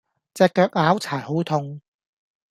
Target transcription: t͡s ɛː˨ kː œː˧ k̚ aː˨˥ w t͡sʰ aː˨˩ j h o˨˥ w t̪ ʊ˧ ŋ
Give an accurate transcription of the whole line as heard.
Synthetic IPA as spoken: t͡s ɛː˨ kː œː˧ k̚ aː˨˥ w t͡sʰ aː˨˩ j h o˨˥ w t̪ʰ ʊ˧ ŋ